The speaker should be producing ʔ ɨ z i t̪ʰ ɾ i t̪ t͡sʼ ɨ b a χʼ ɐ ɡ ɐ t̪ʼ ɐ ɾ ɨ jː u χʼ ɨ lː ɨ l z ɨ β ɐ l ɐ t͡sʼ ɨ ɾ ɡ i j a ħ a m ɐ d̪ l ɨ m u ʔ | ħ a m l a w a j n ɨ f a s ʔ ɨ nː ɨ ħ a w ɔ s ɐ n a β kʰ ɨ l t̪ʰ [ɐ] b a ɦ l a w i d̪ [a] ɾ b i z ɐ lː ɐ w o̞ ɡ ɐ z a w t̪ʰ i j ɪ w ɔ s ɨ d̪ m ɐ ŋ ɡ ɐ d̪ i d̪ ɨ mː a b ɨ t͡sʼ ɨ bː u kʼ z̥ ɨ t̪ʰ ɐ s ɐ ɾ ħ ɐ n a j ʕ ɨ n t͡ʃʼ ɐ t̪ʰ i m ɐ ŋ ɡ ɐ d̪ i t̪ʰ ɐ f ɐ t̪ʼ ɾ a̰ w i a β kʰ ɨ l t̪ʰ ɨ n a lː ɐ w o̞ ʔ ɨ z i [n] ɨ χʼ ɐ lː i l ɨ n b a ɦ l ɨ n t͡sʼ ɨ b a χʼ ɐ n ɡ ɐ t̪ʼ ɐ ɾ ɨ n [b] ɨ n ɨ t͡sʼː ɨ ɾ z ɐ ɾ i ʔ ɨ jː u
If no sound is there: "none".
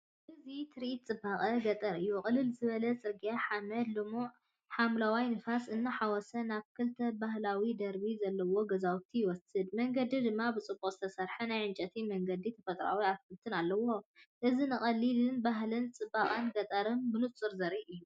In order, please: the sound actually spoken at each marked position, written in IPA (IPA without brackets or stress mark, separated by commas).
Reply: ɐ, ɐ, n, b